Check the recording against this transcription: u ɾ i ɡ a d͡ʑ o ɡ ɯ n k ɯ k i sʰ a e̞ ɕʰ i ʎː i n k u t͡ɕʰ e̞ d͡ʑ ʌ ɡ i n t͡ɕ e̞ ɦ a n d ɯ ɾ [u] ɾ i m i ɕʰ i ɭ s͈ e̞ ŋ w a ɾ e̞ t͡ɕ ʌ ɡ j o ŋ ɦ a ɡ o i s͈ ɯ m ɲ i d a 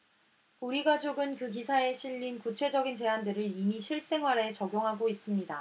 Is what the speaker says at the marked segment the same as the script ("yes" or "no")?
no